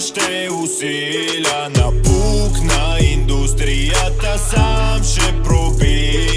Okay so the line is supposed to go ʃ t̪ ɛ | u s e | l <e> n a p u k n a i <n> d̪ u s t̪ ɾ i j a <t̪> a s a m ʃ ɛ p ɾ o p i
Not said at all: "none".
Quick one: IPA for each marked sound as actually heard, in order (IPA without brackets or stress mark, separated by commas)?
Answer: a, n, t̪